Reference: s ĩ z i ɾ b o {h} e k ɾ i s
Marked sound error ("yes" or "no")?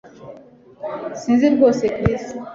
yes